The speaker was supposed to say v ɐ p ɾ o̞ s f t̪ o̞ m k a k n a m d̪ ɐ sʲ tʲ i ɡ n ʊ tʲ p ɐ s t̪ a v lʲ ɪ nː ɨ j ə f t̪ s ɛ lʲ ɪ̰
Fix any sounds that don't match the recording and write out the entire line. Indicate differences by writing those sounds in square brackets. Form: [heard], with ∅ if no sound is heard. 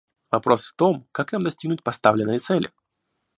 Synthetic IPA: v ɐ p ɾ o̞ s f t̪ o̞ m k a k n a m d̪ ɐ sʲ tʲ i ɡ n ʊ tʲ p ɐ s t̪ a v lʲ ɪ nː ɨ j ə [∅] t̪ s ɛ lʲ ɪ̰